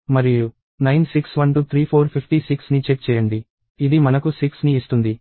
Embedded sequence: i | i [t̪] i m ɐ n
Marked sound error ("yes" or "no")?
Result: yes